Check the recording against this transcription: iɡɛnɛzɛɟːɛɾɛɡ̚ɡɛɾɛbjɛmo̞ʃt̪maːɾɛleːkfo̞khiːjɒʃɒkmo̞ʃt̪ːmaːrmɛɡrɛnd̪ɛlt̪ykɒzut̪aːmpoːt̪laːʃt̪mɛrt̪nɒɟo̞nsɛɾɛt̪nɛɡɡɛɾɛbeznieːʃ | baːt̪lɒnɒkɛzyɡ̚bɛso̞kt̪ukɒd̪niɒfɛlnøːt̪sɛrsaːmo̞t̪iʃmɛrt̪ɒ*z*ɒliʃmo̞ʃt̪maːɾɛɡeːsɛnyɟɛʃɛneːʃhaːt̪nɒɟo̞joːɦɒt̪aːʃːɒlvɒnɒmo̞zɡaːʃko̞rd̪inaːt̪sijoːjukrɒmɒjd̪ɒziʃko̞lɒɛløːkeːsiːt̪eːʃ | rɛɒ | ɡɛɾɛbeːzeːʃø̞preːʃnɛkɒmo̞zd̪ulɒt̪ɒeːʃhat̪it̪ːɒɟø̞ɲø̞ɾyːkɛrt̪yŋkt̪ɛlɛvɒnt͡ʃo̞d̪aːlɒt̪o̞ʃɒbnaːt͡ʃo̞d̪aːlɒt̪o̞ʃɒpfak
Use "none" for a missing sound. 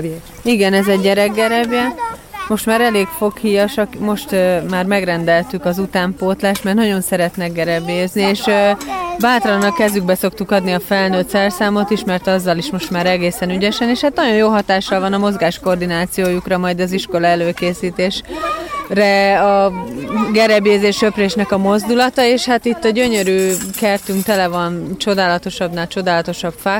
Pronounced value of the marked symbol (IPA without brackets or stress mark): zː